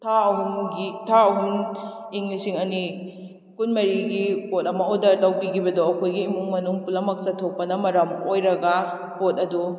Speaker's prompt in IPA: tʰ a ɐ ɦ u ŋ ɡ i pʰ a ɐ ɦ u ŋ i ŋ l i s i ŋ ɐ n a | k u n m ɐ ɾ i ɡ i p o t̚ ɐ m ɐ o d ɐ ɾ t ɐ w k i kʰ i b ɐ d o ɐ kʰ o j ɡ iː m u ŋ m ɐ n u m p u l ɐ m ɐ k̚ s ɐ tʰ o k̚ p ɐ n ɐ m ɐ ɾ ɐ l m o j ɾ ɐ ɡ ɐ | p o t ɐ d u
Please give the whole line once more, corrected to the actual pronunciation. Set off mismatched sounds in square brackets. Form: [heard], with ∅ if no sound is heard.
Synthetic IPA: tʰ a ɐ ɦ u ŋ ɡ i [tʰ] a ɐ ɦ u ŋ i ŋ l i s i ŋ ɐ n [i] | k u n m ɐ ɾ i ɡ i p o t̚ ɐ m ɐ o d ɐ ɾ t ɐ w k i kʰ i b ɐ d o ɐ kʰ o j ɡ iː m u ŋ m ɐ n u [ŋ] p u l ɐ m ɐ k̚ s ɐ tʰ o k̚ p ɐ n ɐ m ɐ ɾ ɐ [∅] m o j ɾ ɐ ɡ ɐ | p o t ɐ d u

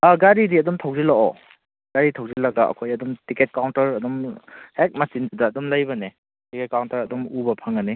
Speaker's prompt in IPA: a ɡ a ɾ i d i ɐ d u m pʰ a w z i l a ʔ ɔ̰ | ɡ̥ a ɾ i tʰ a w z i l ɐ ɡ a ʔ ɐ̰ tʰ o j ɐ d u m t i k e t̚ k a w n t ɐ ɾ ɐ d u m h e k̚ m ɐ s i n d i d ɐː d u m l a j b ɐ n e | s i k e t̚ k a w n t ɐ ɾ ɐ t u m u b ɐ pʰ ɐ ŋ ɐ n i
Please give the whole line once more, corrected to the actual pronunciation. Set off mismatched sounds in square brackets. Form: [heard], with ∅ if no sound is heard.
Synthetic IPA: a ɡ a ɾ i d i ɐ d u m [tʰ] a w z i l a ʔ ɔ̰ | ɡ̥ a ɾ i tʰ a w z i l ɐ ɡ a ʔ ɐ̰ [kʰ] o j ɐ d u m t i k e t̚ k a w n t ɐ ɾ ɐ d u m h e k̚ m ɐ s i n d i d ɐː d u m l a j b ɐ n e | [t] i k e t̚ k a w n t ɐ ɾ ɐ [d] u m u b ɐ pʰ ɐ ŋ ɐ n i

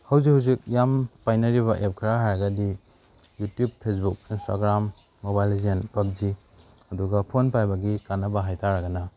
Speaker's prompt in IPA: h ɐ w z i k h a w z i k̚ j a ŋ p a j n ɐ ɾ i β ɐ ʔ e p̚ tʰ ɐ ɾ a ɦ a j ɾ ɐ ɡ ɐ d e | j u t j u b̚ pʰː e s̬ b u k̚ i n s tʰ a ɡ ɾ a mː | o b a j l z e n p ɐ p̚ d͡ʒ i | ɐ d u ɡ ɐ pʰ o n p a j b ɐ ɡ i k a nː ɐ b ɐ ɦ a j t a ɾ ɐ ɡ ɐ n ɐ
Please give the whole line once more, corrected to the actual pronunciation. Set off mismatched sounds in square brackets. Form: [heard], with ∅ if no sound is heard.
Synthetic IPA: h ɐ w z i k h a w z i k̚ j a [m] p a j n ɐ ɾ i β ɐ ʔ e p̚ [kʰ] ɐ ɾ a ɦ a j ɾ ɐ ɡ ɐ d [i] | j u t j u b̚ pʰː e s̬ b u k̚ i n s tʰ a ɡ ɾ a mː | o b a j l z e n p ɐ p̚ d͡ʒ i | ɐ d u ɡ ɐ pʰ o n p a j b ɐ ɡ i k a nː ɐ b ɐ ɦ a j t a ɾ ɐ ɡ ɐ n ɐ

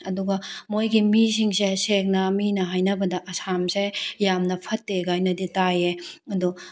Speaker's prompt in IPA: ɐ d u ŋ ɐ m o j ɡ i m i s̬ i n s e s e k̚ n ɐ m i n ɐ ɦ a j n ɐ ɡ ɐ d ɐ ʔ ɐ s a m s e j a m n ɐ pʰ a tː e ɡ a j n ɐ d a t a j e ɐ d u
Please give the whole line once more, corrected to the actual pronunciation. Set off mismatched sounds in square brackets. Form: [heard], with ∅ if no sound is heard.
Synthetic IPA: ɐ d u [ɡ] ɐ m o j ɡ i m i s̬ i [ŋ] s e s e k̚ n ɐ m i n ɐ ɦ a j n ɐ [b] ɐ d ɐ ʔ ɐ s a m s e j a m n ɐ pʰ [ɐ] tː e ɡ a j n ɐ d [i] t a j e ɐ d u

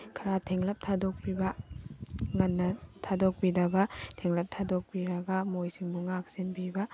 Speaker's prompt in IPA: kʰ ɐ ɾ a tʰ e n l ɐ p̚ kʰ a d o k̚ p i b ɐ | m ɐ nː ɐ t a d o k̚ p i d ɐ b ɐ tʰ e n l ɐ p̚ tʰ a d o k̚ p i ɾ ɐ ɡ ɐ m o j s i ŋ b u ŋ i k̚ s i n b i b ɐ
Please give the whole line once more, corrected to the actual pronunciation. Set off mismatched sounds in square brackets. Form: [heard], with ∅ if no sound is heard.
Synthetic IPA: kʰ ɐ ɾ a tʰ e [ŋ] l ɐ p̚ [tʰ] a d o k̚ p i b ɐ | [ŋ] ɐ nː ɐ [tʰ] a d o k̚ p i d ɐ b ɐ tʰ e [ŋ] l ɐ p̚ tʰ a d o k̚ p i ɾ ɐ ɡ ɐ m o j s i ŋ b u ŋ [a] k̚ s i n b i b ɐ

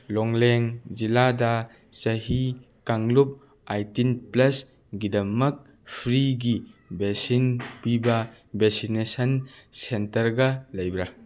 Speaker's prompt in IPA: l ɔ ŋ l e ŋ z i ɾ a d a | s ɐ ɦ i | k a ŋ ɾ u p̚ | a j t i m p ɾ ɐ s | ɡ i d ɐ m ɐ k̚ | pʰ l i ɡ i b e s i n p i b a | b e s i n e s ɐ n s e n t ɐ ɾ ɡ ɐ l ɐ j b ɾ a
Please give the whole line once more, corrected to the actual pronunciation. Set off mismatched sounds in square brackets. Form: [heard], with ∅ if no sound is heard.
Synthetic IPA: l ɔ ŋ l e ŋ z i [l] a d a | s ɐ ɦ i | k a ŋ [l] u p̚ | a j t i [n] p [l] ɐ s | ɡ i d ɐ m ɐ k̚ | pʰ [ɾ] i ɡ i b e s i n p i b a | b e s i n e s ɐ n s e n t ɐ ɾ ɡ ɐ l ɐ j b ɾ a

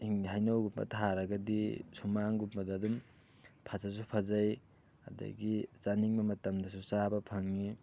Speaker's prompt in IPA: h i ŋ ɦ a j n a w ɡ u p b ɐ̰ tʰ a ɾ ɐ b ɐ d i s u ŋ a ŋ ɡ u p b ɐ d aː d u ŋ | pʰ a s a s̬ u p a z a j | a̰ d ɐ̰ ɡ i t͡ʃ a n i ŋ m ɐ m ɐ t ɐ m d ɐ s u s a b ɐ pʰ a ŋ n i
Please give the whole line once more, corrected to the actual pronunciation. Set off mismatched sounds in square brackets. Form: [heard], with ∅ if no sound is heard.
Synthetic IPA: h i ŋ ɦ a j n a w ɡ u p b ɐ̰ tʰ a ɾ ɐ [ɡ] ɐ d i s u [m] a ŋ ɡ u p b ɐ d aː d u [m] | pʰ a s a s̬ u [pʰ] a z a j | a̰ d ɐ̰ ɡ i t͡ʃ a n i ŋ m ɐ m ɐ t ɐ m d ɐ s u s a b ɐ pʰ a ŋ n i

